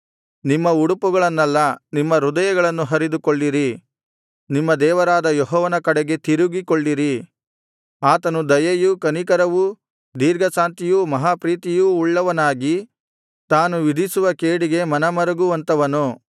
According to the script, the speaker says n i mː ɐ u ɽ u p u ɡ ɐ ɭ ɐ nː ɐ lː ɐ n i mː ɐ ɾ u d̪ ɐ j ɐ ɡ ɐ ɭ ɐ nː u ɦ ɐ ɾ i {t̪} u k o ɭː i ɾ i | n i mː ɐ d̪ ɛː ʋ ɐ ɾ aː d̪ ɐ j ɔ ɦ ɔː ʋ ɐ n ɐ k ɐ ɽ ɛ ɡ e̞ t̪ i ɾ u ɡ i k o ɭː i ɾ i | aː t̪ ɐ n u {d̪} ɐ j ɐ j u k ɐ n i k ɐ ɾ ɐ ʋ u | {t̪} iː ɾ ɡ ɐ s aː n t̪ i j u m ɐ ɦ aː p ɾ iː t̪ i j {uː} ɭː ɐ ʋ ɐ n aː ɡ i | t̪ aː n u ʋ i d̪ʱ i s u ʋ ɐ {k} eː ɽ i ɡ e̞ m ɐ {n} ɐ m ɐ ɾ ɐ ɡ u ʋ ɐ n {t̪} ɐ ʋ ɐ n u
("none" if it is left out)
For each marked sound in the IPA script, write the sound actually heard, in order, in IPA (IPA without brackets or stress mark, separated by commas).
d̪, d̪, d̪, uː, k, n, t̪